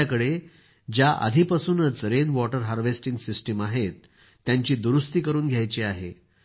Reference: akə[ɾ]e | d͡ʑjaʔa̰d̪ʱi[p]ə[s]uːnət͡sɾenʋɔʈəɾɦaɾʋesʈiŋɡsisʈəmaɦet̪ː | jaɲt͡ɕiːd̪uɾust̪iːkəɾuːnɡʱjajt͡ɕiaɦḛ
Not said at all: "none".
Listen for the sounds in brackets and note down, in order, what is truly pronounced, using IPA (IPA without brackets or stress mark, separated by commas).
ɽ, p, s